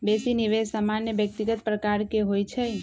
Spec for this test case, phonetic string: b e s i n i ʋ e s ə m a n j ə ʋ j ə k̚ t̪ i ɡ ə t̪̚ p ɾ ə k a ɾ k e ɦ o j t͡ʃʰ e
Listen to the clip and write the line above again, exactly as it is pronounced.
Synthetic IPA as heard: b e s i n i ʋ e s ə m a n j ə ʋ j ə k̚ t̪ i ɡ ə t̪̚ p ɾ ə k a ɾ k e ɦ o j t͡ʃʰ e